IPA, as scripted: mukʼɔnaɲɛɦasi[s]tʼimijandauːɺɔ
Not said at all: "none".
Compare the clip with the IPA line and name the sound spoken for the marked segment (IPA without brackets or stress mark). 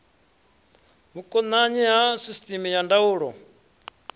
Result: s